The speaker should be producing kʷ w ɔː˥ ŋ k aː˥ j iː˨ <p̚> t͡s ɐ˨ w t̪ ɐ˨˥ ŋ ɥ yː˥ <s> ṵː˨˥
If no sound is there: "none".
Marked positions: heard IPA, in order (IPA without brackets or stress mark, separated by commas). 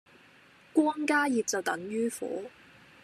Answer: p̚, f